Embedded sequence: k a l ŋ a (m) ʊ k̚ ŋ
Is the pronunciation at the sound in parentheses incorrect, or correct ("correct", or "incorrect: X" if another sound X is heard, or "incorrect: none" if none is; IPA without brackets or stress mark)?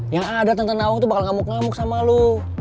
correct